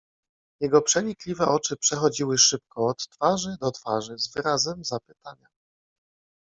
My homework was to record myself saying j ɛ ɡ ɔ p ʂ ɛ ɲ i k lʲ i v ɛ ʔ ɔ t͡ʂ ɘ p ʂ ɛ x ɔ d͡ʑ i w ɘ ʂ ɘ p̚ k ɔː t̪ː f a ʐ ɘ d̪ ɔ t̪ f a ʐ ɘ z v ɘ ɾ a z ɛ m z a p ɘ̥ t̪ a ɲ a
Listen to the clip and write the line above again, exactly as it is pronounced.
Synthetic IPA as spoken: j ɛ ɡ ɔ p ʂ ɛ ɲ i k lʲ i v ɛ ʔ ɔ t͡ʂ ɘ p ʂ ɛ x ɔ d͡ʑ i w ɘ ʂ ɘ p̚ k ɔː t̪ː f a ʐ ɘ d̪ ɔ t̪ f a ʐ ɘ z v ɘ ɾ a z ɛ m z a p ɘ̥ t̪ a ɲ a

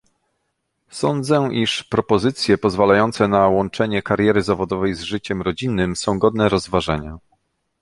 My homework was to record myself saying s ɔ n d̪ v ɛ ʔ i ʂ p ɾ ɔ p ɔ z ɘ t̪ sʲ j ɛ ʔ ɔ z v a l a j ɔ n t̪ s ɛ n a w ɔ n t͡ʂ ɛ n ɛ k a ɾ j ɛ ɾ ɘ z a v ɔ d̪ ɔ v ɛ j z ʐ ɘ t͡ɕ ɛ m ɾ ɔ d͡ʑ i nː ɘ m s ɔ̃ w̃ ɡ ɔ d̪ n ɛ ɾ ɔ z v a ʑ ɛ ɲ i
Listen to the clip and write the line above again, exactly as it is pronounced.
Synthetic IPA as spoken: s ɔ n d̪ z ɛ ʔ i ʂ p ɾ ɔ p ɔ z ɘ t̪ sʲ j ɛ p ɔ z v a l a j ɔ n t̪ s ɛ n a w ɔ n t͡ʂ ɛ ɲ ɛ k a ɾ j ɛ ɾ ɘ z a v ɔ d̪ ɔ v ɛ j z ʐ ɘ t͡ɕ ɛ m ɾ ɔ d͡ʑ i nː ɘ m s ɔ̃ w̃ ɡ ɔ d̪ n ɛ ɾ ɔ z v a ʐ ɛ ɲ a

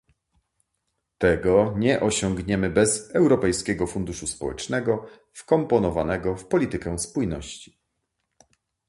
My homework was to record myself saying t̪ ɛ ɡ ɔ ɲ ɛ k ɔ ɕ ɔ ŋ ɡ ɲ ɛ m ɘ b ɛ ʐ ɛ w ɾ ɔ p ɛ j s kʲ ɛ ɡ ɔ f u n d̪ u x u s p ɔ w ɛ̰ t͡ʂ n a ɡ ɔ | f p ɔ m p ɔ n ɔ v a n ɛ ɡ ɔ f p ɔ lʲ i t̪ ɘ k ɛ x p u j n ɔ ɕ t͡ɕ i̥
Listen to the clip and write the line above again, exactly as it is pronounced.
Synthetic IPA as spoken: t̪ ɛ ɡ ɔ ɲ ɛ ʔ ɔ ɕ ɔ ŋ ɡ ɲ ɛ m ɘ b ɛ z ɛ w ɾ ɔ p ɛ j s kʲ ɛ ɡ ɔ f u n d̪ u ʂ u s p ɔ w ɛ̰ t͡ʂ n ɛ ɡ ɔ | f k ɔ m p ɔ n ɔ v a n ɛ ɡ ɔ f p ɔ lʲ i t̪ ɘ k ɛ s p u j n ɔ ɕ t͡ɕ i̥

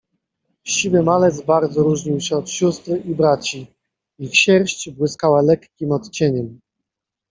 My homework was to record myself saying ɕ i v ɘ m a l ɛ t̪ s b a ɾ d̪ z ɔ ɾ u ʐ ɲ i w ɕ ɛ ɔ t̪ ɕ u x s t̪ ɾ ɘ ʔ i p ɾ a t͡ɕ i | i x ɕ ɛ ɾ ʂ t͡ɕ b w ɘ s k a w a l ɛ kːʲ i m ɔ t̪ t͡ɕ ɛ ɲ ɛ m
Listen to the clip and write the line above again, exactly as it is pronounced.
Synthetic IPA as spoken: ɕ i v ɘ m a l ɛ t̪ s b a ɾ d̪ z ɔ ɾ u ʐ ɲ i w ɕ ɛ ɔ t̪ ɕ u s t̪ ɾ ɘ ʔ i b ɾ a t͡ɕ i | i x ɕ ɛ ɾ ɕ t͡ɕ b w ɘ s k a w a l ɛ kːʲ i m ɔ t̪ t͡ɕ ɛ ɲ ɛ m

